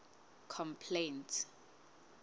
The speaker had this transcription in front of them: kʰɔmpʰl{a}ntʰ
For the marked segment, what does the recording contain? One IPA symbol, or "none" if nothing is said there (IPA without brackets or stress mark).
e